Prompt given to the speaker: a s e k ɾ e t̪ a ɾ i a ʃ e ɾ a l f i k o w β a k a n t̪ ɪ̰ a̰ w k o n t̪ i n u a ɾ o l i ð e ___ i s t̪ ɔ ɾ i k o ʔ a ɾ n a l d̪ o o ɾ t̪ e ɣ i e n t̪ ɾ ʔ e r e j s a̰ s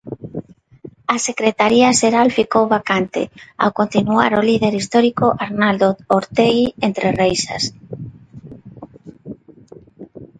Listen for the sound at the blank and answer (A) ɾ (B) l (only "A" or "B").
A